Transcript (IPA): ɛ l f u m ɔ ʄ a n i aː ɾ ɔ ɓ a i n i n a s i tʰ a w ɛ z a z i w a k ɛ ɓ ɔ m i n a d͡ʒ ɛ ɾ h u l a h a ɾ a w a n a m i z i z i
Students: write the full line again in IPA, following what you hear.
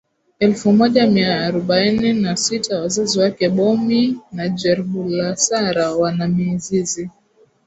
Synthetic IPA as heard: ɛ l f u m ɔ ʄ a m i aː ɾ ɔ ɓ a i n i n a s i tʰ a w a z a z i w a k ɛ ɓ ɔ m i n a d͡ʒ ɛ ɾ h u l a s a ɾ a w a n a m i z i z i